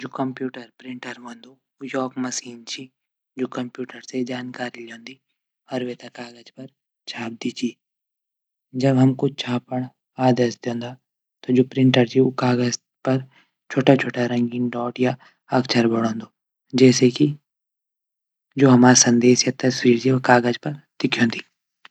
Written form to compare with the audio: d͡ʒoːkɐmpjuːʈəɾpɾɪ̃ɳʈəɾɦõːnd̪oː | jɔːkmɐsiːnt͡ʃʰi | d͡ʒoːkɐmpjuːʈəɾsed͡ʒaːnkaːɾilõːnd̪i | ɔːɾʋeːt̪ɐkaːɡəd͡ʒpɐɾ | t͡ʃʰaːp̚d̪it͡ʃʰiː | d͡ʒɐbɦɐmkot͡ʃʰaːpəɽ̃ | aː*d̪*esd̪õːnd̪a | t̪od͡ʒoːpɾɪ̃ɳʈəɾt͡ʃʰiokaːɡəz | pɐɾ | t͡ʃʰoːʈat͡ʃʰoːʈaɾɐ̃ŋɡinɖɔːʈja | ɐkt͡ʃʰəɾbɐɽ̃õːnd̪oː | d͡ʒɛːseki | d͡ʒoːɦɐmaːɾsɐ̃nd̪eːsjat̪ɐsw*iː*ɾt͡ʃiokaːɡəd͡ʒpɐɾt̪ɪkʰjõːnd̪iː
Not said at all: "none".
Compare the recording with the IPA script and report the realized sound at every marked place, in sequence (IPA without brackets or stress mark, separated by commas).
d̪, iː